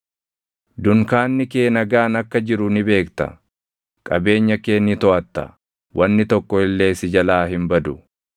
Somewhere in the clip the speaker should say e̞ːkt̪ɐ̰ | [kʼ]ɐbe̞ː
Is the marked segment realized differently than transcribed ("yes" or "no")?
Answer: no